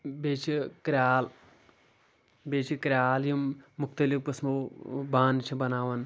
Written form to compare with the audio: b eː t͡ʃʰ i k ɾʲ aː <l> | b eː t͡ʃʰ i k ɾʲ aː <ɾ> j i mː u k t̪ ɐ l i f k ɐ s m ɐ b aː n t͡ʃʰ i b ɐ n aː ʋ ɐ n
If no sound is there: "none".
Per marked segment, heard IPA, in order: l, l

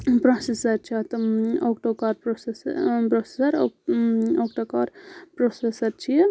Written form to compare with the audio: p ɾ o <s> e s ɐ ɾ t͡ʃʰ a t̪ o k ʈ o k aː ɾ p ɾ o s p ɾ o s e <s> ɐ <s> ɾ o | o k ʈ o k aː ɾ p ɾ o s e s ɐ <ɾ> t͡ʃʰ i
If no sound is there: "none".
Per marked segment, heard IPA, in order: s, s, none, ɾ

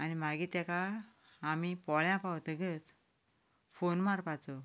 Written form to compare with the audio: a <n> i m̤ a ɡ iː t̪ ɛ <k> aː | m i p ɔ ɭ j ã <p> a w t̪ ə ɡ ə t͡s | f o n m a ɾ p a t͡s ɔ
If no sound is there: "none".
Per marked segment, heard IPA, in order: n, k, p

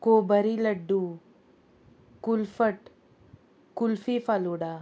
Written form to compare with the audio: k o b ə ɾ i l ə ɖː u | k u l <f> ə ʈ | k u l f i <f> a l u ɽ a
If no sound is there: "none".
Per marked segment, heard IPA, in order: f, f

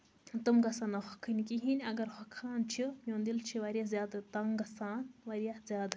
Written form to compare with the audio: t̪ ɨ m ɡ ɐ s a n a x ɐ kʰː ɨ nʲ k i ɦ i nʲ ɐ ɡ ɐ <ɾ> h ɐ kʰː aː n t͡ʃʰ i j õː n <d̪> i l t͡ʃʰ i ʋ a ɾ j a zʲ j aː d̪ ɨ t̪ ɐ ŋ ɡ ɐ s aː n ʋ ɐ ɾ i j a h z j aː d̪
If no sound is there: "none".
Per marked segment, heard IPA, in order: ɾ, d̪

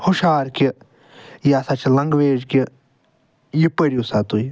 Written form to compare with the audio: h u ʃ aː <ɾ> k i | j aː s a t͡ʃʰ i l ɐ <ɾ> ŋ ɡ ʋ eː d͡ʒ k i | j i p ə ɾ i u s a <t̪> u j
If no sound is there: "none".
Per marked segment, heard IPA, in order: ɾ, none, t̪

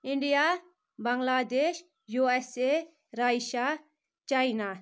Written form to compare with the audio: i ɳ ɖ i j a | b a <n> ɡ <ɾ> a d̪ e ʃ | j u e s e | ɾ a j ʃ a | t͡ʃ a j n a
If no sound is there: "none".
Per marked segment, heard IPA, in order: ŋ, l

